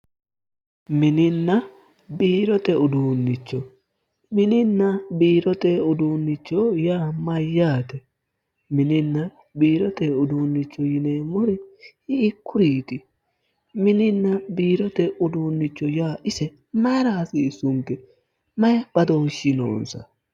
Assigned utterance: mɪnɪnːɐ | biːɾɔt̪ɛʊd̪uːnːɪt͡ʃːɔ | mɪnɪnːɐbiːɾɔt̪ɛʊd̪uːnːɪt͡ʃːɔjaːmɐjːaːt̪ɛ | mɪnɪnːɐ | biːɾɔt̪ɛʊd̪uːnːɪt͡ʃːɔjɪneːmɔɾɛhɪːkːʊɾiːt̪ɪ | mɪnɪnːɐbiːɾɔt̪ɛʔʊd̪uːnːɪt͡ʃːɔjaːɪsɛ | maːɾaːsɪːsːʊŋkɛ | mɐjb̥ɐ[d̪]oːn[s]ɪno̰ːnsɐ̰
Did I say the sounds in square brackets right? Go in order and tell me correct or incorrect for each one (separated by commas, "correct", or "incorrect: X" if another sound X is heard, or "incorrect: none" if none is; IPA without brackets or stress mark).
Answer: correct, incorrect: ʃ